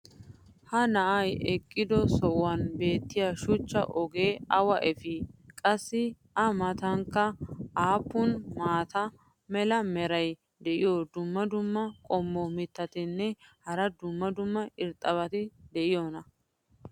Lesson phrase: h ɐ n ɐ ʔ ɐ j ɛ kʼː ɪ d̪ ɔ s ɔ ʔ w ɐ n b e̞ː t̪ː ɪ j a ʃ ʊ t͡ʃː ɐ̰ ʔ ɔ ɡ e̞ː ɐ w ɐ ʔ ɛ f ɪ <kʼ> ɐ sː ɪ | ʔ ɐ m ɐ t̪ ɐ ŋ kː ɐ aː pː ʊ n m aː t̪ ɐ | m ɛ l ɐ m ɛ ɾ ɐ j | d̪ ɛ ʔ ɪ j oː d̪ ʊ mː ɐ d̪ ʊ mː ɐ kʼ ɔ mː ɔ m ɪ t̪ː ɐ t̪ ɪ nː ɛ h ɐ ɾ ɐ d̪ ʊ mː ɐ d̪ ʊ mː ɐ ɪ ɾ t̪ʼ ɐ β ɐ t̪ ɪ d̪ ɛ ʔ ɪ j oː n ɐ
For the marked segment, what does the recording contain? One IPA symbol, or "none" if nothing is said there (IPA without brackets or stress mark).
kʼ